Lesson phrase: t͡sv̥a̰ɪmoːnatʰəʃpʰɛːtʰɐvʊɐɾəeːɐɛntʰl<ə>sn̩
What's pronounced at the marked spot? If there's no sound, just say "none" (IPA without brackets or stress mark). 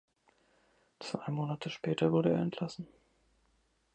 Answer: a